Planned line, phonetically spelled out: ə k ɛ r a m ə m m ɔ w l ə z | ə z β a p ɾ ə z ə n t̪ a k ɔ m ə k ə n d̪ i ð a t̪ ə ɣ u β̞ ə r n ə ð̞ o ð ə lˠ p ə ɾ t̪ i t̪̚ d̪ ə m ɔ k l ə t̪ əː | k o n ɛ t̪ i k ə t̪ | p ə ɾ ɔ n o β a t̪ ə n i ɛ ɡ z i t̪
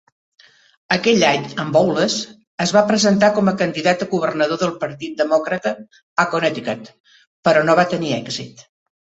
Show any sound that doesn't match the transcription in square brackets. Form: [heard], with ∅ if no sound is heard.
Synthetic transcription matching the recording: ə k ɛ [ʎ] a [ɲ] ə m [b] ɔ w l ə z | ə z β a p ɾ ə z ə n t̪ a k ɔ m ə k ə n d̪ i ð a t̪ ə ɣ u β̞ ə r n ə ð̞ o ð ə lˠ p ə ɾ t̪ i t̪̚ d̪ ə m ɔ k [ɾ] ə t̪ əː | k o n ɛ t̪ i k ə t̪ | p ə ɾ ɔ n o β a t̪ ə n i ɛ ɡ z i t̪

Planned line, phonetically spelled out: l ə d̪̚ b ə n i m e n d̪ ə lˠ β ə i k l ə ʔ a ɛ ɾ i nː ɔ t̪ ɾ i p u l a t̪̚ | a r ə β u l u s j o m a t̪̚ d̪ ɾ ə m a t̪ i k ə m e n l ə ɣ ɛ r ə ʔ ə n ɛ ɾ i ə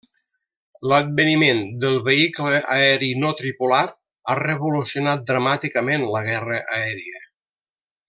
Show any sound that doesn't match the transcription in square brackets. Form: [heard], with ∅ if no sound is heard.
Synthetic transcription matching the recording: l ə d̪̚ b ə n i m e n d̪ ə lˠ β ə i k l ə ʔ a ɛ ɾ i [n] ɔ t̪ ɾ i p u l a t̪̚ | a r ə β u l u s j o [n] a t̪̚ d̪ ɾ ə m a t̪ i k ə m e n l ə ɣ ɛ r ə ʔ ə [∅] ɛ ɾ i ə

